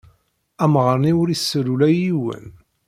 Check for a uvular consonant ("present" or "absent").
present